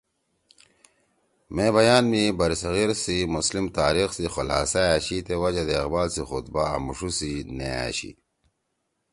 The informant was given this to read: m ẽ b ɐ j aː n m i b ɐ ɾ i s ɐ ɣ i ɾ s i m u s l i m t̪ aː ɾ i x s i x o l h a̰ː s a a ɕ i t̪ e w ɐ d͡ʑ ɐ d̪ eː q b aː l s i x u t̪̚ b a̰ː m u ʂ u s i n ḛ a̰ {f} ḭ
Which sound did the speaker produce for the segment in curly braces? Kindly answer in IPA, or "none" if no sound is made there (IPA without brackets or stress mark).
ɕ